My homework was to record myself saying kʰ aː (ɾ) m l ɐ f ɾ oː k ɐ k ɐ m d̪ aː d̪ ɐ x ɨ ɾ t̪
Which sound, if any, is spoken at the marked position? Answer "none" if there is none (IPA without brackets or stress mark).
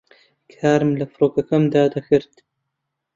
ɾ